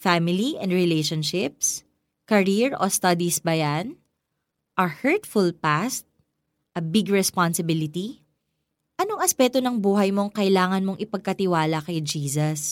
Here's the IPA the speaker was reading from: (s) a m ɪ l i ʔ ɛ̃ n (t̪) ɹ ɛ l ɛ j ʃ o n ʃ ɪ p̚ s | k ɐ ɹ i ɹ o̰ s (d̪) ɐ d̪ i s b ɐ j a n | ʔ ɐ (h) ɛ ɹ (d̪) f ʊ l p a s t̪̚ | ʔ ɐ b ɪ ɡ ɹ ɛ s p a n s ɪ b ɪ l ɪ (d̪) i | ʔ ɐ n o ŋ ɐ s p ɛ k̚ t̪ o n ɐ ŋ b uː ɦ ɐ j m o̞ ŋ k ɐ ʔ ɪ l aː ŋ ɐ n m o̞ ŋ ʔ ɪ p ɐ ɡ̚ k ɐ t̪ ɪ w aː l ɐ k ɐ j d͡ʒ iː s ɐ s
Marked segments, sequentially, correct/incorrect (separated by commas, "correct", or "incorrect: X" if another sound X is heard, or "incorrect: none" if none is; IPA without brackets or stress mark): incorrect: f, incorrect: d̪, incorrect: t̪, correct, incorrect: t̪, incorrect: t̪